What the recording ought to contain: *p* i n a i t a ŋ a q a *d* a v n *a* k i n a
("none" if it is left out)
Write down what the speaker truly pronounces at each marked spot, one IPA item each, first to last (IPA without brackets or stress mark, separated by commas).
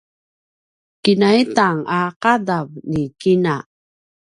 k, d, i